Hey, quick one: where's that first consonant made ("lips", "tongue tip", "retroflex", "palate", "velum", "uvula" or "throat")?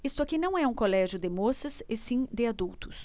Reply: tongue tip